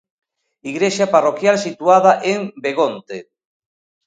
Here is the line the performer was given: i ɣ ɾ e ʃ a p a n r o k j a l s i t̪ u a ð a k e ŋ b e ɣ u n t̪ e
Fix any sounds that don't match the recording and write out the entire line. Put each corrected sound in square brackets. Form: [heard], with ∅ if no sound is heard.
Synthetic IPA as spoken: i ɣ ɾ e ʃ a p a [∅] r o k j a l s i t̪ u a ð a [ʔ] e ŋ b e ɣ [o] n t̪ e